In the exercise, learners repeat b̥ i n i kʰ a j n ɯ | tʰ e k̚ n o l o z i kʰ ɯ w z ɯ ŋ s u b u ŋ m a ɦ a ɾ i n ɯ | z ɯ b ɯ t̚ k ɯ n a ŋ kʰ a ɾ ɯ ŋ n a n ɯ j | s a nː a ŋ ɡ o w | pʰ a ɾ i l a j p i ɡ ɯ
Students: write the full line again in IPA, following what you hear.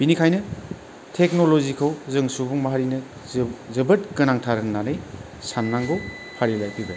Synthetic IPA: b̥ i n i kʰ a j n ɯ | tʰ e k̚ n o l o z i kʰ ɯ w z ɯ ŋ s u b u ŋ m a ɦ a ɾ i n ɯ | z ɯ b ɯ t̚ k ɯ n a ŋ tʰ a ɾ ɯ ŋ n a n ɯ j | s a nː a ŋ ɡ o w | pʰ a ɾ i l a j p i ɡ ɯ